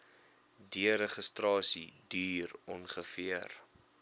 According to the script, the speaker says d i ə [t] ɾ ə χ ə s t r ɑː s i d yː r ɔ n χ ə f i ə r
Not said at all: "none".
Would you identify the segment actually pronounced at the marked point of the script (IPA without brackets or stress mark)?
none